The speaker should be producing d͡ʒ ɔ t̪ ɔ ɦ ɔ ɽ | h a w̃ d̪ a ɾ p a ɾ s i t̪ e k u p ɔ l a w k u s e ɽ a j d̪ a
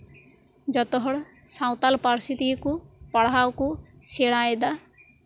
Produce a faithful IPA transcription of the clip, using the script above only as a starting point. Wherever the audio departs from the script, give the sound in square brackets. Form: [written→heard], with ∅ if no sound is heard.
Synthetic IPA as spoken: d͡ʒ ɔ t̪ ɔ ɦ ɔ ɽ | [h→s] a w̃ [d̪→t̪] a [ɾ→l] p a ɾ s i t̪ [e→i] k u p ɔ [l→ɽ] a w k u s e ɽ a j d̪ a